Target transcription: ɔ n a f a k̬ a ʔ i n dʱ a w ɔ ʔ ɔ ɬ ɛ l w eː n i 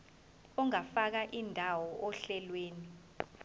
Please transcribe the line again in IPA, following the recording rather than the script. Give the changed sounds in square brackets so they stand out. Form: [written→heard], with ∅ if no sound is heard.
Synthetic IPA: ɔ [n→ŋ] a f a k̬ a ʔ i n dʱ a w ɔ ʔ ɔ ɬ ɛ l w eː n i